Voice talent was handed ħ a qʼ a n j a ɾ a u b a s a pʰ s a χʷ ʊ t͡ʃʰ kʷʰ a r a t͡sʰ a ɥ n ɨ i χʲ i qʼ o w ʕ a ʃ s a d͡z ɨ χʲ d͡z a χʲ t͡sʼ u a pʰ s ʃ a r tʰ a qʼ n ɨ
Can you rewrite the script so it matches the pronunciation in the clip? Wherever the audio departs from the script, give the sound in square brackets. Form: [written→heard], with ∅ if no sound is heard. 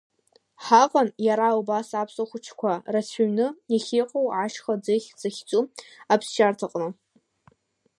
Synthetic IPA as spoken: ħ a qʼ a n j a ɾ a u b a s a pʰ s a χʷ ʊ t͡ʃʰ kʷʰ a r a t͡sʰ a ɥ n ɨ i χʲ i qʼ o w ʕ a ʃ [s→χ] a d͡z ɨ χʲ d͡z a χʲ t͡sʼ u a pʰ s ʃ a r tʰ a qʼ n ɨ

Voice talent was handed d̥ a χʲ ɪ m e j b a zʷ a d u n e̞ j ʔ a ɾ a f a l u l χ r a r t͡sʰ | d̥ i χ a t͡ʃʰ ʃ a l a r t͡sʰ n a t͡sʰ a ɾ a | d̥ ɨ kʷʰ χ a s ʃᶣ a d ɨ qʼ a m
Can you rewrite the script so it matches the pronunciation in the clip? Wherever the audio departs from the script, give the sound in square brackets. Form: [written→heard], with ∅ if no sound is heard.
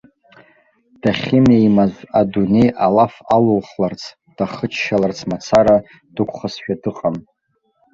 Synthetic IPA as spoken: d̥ a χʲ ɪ m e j [b→m] a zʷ a d u n e̞ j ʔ a [ɾ→l] a f a l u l χ [r→l] a r t͡sʰ | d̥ [i→a] χ [a→ə] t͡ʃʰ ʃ a l a r t͡sʰ [n→m] a t͡sʰ a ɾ a | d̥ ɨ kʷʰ χ a s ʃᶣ a d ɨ qʼ a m

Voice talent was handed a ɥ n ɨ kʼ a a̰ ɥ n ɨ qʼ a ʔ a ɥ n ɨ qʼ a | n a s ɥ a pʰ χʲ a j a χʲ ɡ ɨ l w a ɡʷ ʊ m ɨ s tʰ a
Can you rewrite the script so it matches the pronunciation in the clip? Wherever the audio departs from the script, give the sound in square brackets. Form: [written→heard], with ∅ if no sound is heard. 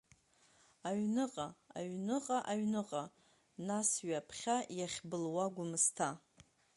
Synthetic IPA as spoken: a ɥ n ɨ [kʼ→qʼ] a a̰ ɥ n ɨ qʼ a ʔ a ɥ n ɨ qʼ a | n a s ɥ a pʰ χʲ a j a χʲ [ɡ→b] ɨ l w a ɡʷ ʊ m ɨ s tʰ a

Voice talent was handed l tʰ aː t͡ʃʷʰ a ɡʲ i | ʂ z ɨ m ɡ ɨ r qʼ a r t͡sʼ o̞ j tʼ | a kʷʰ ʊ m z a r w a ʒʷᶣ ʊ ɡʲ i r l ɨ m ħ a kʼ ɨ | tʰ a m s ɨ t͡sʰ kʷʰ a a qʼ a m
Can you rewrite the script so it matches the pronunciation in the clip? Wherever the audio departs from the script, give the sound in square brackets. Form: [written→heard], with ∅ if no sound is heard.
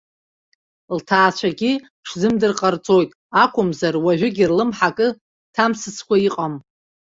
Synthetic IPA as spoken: l tʰ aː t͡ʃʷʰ a ɡʲ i | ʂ z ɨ m [ɡ→d] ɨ r qʼ a r t͡sʼ o̞ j tʼ | a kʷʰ ʊ m z a r w a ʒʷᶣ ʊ ɡʲ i r l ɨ m ħ a kʼ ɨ | tʰ a m s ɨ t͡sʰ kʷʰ a [a→i] qʼ a m

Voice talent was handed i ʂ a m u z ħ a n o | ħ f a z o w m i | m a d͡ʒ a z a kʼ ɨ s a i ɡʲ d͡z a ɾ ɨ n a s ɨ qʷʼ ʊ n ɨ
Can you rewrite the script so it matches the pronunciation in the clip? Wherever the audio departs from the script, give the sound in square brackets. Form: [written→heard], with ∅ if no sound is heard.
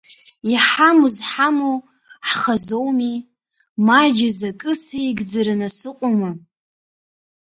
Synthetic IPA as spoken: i [ʂ→ħ] a m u z ħ a [n→m] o | ħ [f→χ] a z o w m i | m a d͡ʒ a z a kʼ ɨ s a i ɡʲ d͡z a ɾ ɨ n a s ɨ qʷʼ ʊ [n→m] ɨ

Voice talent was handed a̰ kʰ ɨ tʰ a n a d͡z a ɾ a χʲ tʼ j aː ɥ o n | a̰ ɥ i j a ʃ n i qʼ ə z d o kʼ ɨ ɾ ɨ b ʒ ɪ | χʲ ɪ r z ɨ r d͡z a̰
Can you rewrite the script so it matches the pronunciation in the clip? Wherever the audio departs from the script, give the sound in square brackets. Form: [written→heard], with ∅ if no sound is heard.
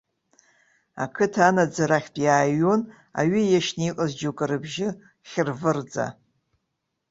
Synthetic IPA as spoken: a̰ kʰ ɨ tʰ a n a d͡z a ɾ a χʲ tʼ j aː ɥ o n | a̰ ɥ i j a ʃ n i qʼ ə z [d→d͡ʒ] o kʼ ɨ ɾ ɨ b ʒ ɪ | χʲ ɪ r [z→v] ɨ r d͡z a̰

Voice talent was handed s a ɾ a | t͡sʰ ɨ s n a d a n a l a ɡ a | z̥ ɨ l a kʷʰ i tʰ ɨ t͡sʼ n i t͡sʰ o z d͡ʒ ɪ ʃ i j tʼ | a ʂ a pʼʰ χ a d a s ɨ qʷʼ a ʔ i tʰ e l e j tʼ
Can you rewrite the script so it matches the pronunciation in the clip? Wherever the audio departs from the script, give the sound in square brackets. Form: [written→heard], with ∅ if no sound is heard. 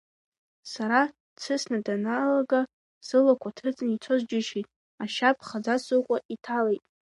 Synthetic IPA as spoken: s a ɾ a | t͡sʰ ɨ s n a d a n a l a ɡ a | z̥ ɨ l a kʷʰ [i→a] tʰ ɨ t͡sʼ n i t͡sʰ o z d͡ʒ ɪ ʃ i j tʼ | a [ʂ→ʃ] a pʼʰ χ a [d→d͡z] a s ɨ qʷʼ a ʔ i tʰ [e→a] l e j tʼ

